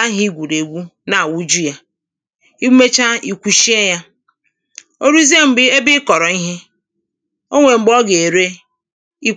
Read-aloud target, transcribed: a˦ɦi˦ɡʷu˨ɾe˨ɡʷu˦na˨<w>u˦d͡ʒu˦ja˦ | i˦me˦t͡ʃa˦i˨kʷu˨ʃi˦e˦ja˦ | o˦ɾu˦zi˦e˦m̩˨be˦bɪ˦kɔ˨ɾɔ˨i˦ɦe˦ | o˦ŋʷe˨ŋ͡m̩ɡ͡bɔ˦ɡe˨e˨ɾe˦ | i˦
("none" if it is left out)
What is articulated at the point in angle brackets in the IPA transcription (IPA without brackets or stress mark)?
w